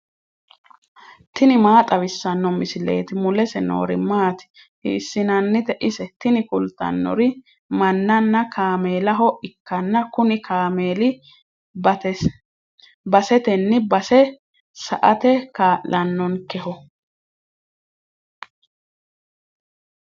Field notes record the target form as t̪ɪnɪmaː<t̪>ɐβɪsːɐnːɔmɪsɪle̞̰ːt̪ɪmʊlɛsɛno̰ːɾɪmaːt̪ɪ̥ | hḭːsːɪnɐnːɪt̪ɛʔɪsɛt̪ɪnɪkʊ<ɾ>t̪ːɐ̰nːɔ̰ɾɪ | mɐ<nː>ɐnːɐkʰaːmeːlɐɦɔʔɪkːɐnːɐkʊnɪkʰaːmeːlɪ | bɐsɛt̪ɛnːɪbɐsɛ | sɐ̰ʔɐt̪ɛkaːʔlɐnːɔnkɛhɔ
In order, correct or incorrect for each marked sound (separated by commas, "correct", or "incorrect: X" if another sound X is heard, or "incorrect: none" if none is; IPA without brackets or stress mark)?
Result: incorrect: t̪ʼ, incorrect: l, correct